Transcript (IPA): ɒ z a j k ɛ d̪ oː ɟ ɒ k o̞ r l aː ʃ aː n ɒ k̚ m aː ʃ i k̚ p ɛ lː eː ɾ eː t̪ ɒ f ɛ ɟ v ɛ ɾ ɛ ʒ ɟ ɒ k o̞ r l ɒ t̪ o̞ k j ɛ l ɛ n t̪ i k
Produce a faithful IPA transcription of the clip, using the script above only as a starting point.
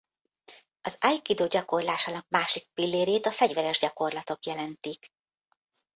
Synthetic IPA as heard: ɒ z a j k i d̪ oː ɟ ɒ k o̞ r l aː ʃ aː n ɒ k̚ m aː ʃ i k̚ p i lː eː ɾ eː t̪ ɒ f ɛ ɟ v ɛ ɾ ɛ ʒ ɟ ɒ k o̞ r l ɒ t̪ o̞ k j ɛ l ɛ n t̪ i k